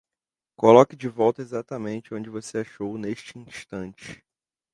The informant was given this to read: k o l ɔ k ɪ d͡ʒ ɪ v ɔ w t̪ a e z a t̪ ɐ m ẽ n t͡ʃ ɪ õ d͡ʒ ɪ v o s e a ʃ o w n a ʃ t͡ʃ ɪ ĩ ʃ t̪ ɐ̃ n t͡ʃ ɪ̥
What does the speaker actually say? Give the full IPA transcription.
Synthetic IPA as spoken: k o l ɔ k ɪ d͡ʒ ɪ v ɔ w t̪ ɐ e z a t̪ ɐ m ẽ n t͡ʃ ɪ õ d͡ʒ ɪ v o s e a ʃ o w n e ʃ t͡ʃ ɪ ĩ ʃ t̪ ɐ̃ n t͡ʃ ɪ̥